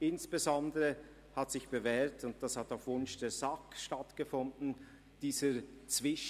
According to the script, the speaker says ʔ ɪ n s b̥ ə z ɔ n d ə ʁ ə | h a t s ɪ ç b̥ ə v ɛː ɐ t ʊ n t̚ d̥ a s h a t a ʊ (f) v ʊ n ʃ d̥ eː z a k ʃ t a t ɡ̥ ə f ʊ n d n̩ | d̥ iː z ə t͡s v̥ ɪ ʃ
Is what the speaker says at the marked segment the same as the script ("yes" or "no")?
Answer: yes